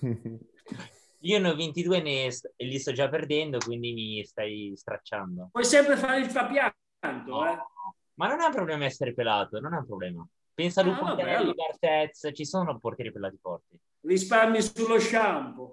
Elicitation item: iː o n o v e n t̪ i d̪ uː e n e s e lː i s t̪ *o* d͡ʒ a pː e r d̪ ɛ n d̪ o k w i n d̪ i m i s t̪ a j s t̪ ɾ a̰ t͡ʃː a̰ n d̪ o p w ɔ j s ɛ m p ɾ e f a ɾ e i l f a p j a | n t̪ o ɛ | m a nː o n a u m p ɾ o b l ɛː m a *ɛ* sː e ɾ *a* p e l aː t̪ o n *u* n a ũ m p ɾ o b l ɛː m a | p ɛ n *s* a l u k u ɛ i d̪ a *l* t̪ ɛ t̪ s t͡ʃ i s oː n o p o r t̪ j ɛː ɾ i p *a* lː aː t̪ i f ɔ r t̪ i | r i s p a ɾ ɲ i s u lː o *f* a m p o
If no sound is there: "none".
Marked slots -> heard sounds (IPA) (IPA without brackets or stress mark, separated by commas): ɔ, ɛ, e, o, s, r, e, ʃ